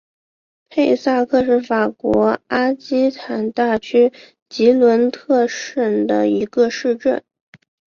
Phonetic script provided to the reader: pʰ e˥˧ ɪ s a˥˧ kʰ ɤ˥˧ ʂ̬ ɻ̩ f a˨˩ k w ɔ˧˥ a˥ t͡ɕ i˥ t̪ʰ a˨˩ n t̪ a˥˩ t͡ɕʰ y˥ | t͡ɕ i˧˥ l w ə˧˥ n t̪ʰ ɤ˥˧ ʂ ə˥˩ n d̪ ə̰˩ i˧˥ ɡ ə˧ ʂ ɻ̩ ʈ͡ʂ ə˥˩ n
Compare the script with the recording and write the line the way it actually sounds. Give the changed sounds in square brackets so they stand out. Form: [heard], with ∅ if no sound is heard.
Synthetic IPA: pʰ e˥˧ ɪ s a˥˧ kʰ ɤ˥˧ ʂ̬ ɻ̩ f a˨˩ k w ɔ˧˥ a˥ t͡ɕ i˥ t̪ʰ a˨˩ n t̪ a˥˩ t͡ɕʰ y˥ | t͡ɕ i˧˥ l w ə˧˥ n t̪ʰ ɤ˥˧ ʂ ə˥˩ n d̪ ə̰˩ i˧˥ ɡ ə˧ ʂ ɻ̩ ʈ͡ʂ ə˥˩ n